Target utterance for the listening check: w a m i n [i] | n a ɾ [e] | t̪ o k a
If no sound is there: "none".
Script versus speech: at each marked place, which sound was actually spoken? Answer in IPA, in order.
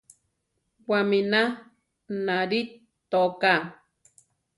a, i

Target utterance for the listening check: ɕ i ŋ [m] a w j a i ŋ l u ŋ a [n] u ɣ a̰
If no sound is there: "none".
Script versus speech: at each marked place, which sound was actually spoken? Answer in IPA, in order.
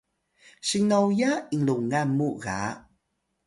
n, m

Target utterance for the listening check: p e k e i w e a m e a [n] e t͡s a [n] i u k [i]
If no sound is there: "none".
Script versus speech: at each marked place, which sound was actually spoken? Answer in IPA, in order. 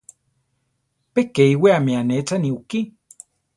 n, n, i

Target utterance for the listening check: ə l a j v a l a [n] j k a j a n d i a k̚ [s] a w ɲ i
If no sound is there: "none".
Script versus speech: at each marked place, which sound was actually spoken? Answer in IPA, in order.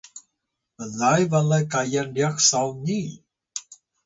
none, s

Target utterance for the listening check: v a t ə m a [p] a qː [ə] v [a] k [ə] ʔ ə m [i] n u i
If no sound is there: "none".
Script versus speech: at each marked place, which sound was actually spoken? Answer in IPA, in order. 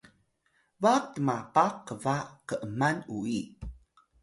p, ə, a, ə, a

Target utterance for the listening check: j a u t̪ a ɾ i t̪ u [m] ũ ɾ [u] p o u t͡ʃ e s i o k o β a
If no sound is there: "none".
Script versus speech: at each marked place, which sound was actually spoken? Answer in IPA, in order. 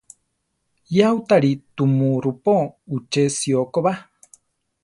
m, u

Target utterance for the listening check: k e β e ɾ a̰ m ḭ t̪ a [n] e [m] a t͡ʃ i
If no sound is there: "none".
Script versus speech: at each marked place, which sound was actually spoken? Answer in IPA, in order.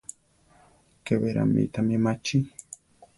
m, m

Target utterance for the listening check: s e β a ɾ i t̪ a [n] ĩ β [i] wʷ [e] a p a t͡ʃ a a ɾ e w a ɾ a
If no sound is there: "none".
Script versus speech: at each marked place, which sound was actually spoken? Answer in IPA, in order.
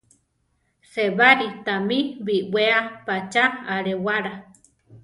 m, i, e

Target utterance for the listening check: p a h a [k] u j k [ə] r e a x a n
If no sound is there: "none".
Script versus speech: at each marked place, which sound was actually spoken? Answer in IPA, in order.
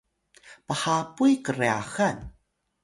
p, ə

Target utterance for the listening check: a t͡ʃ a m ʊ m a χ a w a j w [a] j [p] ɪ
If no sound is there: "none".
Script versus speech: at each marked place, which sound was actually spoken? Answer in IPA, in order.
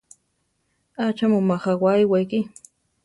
a, k

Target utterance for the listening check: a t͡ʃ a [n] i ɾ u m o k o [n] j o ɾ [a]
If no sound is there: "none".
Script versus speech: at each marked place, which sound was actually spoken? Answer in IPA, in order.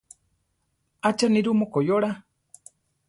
n, none, a

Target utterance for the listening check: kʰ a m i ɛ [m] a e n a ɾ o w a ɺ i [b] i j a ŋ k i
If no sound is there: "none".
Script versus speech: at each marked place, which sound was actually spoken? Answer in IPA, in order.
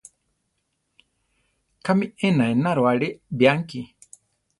n, b

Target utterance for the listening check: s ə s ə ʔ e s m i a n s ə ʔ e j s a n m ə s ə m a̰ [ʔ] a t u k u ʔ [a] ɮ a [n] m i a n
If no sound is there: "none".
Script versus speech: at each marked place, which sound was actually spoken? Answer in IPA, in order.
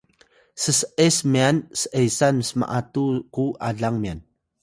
ʔ, a, ŋ

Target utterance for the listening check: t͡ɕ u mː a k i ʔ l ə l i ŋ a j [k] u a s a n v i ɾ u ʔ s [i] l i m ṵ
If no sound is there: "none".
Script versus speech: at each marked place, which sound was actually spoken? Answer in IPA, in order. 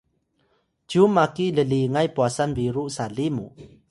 p, a

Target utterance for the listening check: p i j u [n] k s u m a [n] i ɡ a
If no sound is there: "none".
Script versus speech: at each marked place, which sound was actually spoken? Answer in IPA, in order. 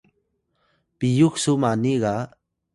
none, n

